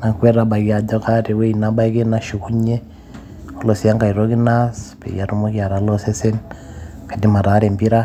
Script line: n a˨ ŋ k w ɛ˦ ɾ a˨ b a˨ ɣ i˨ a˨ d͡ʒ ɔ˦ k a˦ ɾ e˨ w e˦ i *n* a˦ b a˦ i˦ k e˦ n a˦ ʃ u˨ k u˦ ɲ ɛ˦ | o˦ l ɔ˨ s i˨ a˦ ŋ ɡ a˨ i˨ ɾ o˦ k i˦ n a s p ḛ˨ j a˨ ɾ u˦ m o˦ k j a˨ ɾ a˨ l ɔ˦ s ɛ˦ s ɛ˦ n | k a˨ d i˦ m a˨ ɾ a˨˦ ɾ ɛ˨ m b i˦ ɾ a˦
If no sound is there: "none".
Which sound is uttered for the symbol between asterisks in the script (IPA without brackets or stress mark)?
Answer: n